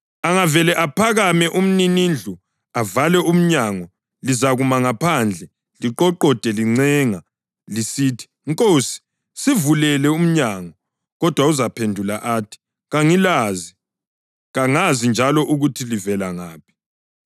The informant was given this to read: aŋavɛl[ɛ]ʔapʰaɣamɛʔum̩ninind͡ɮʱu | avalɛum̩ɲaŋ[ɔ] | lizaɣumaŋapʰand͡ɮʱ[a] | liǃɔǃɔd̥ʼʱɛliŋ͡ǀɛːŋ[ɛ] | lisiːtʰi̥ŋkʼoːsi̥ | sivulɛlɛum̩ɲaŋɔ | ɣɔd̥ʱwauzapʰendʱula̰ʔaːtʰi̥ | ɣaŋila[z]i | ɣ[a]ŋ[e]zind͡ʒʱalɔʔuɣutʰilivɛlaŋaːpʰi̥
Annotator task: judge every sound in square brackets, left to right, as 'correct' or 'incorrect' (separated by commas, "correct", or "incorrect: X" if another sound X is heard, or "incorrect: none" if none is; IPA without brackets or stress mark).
correct, correct, incorrect: ɛ, incorrect: a, correct, correct, incorrect: a